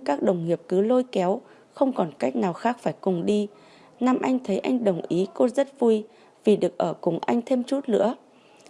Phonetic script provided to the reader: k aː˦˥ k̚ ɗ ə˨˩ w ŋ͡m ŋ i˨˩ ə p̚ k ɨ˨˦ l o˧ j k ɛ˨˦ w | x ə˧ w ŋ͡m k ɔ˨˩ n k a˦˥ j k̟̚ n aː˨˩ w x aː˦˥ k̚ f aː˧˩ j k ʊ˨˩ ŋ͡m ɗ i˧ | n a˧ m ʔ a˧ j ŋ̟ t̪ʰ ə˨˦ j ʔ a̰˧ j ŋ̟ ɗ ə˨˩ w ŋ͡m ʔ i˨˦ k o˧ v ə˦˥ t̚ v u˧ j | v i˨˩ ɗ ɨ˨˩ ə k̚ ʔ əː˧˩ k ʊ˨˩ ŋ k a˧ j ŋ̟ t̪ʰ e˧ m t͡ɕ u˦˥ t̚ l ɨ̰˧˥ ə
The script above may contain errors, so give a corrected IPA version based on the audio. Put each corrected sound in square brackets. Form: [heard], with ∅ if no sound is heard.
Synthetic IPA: k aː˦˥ k̚ ɗ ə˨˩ w ŋ͡m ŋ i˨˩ ə p̚ k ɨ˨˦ l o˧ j k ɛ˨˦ w | x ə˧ w ŋ͡m k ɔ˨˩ n k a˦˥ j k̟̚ n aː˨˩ w x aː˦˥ k̚ f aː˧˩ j k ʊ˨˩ ŋ͡m ɗ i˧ | n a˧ m ʔ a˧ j ŋ̟ t̪ʰ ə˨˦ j ʔ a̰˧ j ŋ̟ ɗ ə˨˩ w ŋ͡m ʔ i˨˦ k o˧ [z] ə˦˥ t̚ v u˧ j | v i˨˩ ɗ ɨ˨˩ ə k̚ ʔ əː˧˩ k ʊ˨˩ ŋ [ʔ] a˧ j ŋ̟ t̪ʰ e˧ m t͡ɕ u˦˥ t̚ l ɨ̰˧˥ ə